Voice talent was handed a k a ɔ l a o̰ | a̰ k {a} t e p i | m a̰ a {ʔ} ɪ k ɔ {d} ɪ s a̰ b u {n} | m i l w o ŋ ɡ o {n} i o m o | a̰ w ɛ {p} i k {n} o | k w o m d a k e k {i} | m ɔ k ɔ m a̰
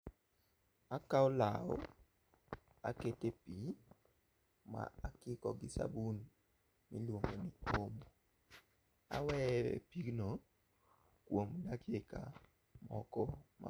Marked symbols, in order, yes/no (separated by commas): no, no, no, yes, yes, yes, yes, no